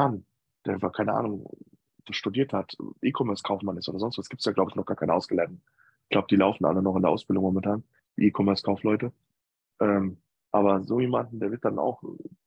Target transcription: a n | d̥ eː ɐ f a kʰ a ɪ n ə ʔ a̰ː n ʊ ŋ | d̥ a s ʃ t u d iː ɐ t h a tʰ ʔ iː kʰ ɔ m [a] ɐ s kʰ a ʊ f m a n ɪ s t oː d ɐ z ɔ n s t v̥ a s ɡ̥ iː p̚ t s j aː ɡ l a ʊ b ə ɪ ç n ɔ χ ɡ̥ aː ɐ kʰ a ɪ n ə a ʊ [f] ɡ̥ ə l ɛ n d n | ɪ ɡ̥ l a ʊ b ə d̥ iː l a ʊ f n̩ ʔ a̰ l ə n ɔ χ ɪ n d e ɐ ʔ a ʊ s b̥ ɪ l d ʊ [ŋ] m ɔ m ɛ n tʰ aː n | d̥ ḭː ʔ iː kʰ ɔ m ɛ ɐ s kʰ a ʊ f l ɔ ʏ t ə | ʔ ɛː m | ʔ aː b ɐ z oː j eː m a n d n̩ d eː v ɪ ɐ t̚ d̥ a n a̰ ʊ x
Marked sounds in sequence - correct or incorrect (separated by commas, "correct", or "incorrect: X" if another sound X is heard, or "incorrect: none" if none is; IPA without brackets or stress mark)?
incorrect: ɛ, incorrect: s, correct